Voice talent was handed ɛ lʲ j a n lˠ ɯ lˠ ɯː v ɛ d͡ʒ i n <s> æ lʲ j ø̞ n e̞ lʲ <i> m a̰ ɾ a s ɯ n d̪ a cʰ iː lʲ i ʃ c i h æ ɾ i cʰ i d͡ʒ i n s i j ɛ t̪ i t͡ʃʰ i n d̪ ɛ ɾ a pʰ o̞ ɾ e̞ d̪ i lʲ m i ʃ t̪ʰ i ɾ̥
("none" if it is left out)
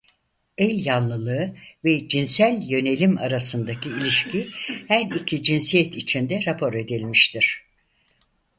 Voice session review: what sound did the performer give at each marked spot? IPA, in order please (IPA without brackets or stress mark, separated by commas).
s, i